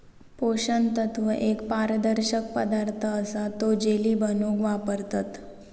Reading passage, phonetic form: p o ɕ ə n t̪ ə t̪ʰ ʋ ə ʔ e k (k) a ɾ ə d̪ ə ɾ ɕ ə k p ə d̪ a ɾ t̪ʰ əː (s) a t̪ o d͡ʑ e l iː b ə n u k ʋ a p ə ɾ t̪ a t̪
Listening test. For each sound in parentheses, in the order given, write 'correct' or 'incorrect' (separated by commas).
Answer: incorrect, correct